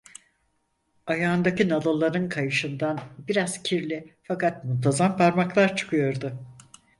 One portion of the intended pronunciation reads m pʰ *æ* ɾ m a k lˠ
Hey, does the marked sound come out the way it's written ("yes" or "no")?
no